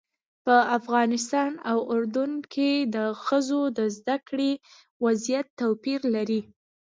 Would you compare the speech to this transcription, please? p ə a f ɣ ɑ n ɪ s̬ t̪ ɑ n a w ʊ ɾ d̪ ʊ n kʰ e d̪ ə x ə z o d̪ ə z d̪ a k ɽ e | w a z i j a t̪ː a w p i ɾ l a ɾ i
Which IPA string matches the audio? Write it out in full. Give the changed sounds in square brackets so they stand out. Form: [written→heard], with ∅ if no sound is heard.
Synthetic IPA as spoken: p ə a f ɣ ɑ n ɪ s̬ t̪ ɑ n a w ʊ ɾ d̪ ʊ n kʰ e d̪ ə x ə z o d̪ ə z d̪ a k ɽ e | w a z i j a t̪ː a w p i ɾ l a ɾ i